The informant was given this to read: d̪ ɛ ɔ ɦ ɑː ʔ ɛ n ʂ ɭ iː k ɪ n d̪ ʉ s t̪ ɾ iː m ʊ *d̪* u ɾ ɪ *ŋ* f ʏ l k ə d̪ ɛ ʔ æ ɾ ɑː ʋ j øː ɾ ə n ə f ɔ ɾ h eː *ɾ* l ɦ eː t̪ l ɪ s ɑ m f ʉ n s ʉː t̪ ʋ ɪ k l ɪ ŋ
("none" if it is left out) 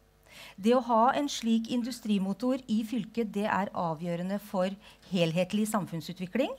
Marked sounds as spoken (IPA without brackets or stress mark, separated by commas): t̪, none, none